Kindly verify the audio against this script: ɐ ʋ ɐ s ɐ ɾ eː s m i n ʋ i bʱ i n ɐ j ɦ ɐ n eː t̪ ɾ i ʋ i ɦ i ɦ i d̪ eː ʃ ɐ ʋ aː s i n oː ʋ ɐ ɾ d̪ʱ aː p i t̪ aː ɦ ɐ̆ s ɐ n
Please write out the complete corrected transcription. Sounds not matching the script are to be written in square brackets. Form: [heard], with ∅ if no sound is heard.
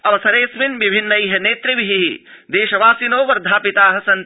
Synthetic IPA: ɐ ʋ ɐ s ɐ ɾ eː s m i n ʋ i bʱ i [nː] ɐ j ɦ ɐ n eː t̪ ɾ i ʋ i ɦ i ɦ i d̪ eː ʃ ɐ ʋ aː s i n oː ʋ ɐ ɾ d̪ʱ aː p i t̪ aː ɦ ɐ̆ s ɐ n